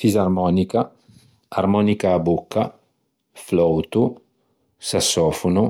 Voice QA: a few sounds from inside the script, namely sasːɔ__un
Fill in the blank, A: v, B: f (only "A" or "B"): B